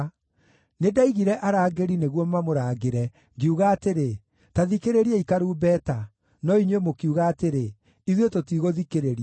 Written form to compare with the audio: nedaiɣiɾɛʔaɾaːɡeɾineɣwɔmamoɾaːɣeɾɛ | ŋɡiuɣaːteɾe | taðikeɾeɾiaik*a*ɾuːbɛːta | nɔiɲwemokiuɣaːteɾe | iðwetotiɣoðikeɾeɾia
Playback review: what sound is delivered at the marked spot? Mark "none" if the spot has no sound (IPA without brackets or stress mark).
a